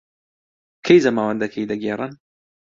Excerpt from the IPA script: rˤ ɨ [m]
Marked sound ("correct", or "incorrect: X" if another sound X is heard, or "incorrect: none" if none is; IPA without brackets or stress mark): incorrect: n